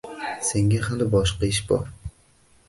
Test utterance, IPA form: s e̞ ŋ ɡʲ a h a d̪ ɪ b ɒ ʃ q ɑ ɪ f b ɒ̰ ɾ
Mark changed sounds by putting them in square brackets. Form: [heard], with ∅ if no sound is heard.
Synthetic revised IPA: s e̞ ŋ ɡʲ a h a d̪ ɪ b ɒ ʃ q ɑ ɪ [ʃ] b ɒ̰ ɾ

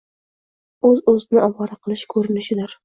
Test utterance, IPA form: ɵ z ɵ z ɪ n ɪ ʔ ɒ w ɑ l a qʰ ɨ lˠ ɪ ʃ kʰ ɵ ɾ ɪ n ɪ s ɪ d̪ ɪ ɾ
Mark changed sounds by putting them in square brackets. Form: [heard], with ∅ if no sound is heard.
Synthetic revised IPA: ɵ z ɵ z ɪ n ɪ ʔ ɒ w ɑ [ɾ] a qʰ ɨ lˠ ɪ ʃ kʰ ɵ ɾ ɪ n ɪ [ʃ] ɪ d̪ ɪ ɾ

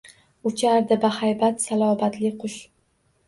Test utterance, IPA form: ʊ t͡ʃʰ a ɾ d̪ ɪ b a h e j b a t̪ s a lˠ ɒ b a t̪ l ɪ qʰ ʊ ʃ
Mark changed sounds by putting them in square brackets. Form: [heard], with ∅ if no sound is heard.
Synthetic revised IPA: ʊ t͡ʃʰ a ɾ d̪ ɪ b a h [a] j b a t̪ s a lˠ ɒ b a t̪ l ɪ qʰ ʊ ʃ

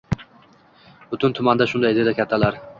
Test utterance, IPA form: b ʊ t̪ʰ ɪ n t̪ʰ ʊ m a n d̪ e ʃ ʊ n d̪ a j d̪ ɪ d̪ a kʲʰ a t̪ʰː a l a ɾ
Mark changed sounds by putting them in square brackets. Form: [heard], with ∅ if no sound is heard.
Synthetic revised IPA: b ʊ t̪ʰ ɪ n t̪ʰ ʊ m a n d̪ [a] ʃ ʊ n d̪ a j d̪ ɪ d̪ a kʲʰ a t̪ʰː a l a ɾ

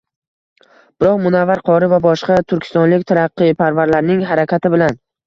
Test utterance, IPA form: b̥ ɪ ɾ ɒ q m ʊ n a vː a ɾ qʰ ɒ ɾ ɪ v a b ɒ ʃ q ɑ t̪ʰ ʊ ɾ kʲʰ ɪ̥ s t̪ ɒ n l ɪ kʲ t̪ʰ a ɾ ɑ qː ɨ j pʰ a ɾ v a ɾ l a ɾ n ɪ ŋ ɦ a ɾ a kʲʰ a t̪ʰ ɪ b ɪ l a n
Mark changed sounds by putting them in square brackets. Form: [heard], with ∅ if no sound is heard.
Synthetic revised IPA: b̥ ɪ ɾ ɒ q m ʊ n a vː a ɾ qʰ ɒ ɾ ɪ v a b ɒ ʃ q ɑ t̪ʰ ʊ ɾ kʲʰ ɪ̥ s t̪ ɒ n l ɪ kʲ t̪ʰ a ɾ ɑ qː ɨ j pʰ a ɾ v a ɾ l a ɾ n ɪ ŋ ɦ a ɾ a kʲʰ a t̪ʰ ɪ b ɪ l a n

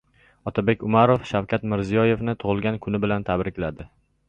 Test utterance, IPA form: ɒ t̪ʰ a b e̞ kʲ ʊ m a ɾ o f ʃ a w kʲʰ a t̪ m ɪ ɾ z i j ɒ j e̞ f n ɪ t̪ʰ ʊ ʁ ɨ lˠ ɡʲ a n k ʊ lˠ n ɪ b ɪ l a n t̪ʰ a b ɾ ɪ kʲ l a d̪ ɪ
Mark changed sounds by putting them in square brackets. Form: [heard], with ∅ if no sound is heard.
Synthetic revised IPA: ɒ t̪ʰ a b e̞ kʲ ʊ m a ɾ o f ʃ a w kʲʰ a t̪ m ɪ ɾ z i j ɒ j e̞ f n ɪ t̪ʰ ʊ ʁ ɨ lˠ ɡʲ a n [kʰ] ʊ [∅] n ɪ b ɪ l a n t̪ʰ a b ɾ ɪ kʲ l a d̪ ɪ

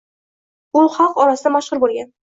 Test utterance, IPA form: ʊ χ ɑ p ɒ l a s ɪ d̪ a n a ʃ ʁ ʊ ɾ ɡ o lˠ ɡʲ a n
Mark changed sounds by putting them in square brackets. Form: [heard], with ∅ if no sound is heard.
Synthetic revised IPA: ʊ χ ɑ [q] ɒ [ɾ] a s ɪ d̪ a [m] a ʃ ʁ ʊ ɾ [b] o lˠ ɡʲ a n

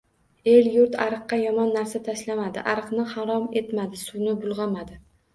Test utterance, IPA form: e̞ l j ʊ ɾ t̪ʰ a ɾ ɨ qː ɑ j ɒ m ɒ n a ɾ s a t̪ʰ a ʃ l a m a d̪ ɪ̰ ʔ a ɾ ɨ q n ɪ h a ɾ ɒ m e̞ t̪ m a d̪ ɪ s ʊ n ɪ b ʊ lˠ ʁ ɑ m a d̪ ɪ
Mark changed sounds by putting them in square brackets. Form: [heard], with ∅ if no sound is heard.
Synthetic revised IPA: e̞ l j ʊ ɾ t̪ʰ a ɾ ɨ qː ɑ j ɒ m ɒ [nː] a ɾ s a t̪ʰ a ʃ l a m a d̪ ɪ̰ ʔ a ɾ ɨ q n ɪ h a ɾ ɒ m e̞ t̪ m a d̪ ɪ s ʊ n ɪ b ʊ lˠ ʁ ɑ m a d̪ ɪ

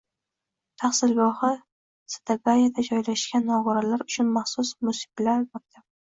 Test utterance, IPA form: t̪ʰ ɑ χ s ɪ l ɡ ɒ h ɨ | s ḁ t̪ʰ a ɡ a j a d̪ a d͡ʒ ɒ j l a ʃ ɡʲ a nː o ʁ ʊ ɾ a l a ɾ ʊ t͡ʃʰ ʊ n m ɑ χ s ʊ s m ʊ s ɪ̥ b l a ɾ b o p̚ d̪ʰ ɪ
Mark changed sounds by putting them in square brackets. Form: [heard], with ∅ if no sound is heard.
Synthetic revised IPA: t̪ʰ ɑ χ s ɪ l ɡ ɒ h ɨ | s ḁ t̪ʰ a ɡ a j a d̪ a d͡ʒ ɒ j l a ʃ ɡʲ a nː [ɒ] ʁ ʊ ɾ a l a ɾ ʊ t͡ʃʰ ʊ n m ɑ χ s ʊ s m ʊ s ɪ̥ b l a ɾ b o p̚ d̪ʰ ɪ

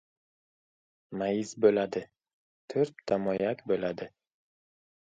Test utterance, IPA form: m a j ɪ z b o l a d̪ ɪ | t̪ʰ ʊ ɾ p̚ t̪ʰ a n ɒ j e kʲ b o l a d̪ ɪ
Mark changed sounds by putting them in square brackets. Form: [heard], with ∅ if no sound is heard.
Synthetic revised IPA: m a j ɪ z b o l a d̪ ɪ | t̪ʰ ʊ ɾ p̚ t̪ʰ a [m] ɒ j [a] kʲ b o l a d̪ ɪ

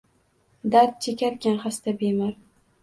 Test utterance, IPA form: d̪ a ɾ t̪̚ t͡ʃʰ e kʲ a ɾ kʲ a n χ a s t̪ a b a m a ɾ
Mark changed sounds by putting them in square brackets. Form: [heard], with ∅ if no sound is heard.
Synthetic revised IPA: d̪ a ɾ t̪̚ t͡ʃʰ e kʲ a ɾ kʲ a n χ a s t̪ a b [e] m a ɾ

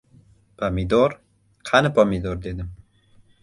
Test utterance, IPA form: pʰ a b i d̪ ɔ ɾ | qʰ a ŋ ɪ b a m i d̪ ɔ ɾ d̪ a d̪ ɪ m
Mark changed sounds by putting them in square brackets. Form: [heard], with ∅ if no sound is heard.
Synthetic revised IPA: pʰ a [m] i d̪ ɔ ɾ | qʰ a [n] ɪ [p] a m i d̪ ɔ ɾ d̪ [e] d̪ ɪ m

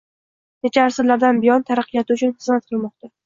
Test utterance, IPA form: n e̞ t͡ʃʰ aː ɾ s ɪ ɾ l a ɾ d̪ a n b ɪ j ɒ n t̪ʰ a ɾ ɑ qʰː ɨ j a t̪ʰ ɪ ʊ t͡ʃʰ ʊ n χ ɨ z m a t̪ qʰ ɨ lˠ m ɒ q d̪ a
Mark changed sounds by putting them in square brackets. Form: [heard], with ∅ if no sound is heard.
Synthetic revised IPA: n e̞ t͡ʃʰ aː ɾ s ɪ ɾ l a ɾ d̪ a n b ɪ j ɒ n t̪ʰ a ɾ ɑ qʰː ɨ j a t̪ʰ ɪ ʊ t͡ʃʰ ʊ n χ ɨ z m a t̪ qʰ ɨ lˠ m ɒ q [t̪] a

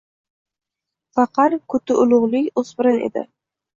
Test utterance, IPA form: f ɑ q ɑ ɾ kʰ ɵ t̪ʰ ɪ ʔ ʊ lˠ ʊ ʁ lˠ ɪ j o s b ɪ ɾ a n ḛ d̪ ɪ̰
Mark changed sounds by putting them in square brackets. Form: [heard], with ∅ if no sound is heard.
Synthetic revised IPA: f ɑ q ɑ ɾ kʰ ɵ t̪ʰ ɪ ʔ ʊ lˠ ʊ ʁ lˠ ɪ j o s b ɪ ɾ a n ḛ d̪ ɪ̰

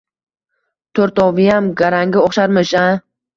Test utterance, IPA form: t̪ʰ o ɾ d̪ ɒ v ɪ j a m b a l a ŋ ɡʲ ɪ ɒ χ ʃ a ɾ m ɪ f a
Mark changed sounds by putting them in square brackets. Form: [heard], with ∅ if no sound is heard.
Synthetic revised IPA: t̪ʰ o ɾ [t̪] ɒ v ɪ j a m [ɡ] a [ɾ] a ŋ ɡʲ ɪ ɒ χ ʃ a ɾ m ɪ [ʃ] a

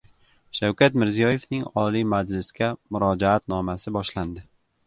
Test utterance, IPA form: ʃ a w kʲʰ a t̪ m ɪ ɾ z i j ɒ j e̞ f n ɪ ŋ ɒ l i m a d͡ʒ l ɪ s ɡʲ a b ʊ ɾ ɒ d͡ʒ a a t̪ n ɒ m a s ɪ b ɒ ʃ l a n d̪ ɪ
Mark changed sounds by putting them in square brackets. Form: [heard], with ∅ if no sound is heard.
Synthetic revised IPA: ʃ a w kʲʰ a t̪ m ɪ ɾ z i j ɒ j e̞ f n ɪ ŋ ɒ l i m a d͡ʒ l ɪ s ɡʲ a [m] ʊ ɾ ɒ d͡ʒ a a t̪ n ɒ m a s ɪ b ɒ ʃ l a n d̪ ɪ

